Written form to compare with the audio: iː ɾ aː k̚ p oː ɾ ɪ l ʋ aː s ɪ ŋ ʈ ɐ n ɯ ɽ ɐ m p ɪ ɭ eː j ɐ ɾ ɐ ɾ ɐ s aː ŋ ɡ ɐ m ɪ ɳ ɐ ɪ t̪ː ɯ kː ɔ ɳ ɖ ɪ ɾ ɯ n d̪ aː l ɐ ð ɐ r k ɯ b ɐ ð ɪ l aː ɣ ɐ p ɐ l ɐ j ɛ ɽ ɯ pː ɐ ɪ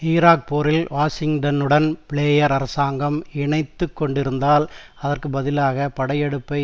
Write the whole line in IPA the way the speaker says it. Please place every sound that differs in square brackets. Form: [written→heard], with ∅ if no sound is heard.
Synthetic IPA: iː ɾ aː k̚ p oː ɾ ɪ l ʋ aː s ɪ ŋ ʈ ɐ n ɯ ɽ ɐ [m→n] p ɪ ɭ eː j ɐ ɾ ɐ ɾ ɐ s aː ŋ ɡ ɐ m ɪ ɳ ɐ ɪ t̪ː ɯ kː ɔ ɳ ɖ ɪ ɾ ɯ n d̪ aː l ɐ ð ɐ r k ɯ b ɐ ð ɪ l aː ɣ ɐ p ɐ [l→ɽ] ɐ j ɛ ɽ ɯ pː ɐ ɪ